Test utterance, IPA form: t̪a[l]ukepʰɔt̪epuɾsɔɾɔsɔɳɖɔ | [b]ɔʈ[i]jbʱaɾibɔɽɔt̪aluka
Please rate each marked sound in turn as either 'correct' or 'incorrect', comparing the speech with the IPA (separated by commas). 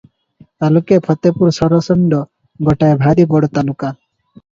correct, incorrect, incorrect